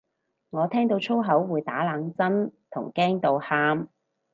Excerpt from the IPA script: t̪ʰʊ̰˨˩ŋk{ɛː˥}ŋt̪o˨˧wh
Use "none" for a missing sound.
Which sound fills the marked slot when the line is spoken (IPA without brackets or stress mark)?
ɛː˥